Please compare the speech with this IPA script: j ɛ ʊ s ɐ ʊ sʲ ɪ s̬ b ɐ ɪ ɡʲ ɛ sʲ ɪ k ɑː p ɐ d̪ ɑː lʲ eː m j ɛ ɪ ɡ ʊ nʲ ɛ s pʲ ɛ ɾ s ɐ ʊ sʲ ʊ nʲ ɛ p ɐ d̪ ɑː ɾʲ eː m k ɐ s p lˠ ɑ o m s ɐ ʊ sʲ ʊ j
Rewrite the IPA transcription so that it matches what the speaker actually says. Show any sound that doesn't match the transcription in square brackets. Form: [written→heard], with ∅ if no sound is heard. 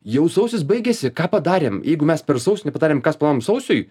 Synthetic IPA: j ɛ ʊ s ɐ ʊ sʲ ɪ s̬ b ɐ ɪ ɡʲ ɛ sʲ ɪ k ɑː p ɐ d̪ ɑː [lʲ→ɾʲ] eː m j ɛ ɪ ɡ ʊ [nʲ→mʲ] ɛ s pʲ ɛ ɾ s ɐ ʊ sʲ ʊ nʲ ɛ p ɐ d̪ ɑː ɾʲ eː m k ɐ s p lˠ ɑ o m s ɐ ʊ sʲ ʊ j